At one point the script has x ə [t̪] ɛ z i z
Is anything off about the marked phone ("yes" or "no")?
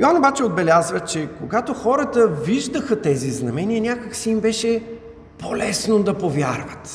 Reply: no